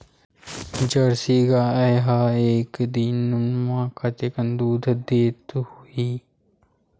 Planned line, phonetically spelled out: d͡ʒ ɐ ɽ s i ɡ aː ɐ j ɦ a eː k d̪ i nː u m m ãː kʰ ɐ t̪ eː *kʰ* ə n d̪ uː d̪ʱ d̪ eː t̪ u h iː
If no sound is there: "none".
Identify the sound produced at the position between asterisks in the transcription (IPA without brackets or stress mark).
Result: k